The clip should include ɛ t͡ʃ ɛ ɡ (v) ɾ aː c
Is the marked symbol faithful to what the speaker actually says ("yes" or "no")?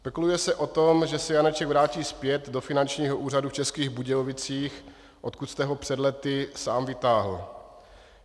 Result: yes